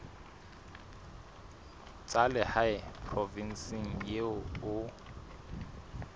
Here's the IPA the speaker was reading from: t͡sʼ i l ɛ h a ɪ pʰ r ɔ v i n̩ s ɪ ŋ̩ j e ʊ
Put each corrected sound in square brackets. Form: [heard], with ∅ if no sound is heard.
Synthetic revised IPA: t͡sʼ [a] l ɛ h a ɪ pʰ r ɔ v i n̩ s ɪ ŋ̩ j e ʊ